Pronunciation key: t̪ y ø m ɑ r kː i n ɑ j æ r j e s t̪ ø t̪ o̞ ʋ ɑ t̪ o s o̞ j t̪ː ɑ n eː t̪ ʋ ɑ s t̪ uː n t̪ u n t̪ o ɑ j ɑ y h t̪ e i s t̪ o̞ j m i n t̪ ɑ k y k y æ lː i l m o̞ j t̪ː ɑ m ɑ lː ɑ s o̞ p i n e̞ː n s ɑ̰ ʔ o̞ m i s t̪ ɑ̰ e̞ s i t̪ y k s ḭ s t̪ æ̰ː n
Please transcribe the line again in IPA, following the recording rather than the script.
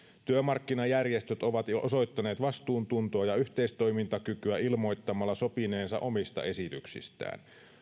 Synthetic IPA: t̪ y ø m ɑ r kː i n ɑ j æ r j e s t̪ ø t̪ o̞ ʋ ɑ t̪ o s o̞ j t̪ː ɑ n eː t̪ ʋ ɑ s t̪ uː n t̪ u n t̪ o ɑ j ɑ y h t̪ e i s t̪ o̞ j m i n t̪ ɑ k y k y æ i l m o̞ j t̪ː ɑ m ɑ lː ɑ s o̞ p i n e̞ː n s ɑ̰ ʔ o̞ m i s t̪ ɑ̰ e̞ s i t̪ y k s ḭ s t̪ æ̰ː n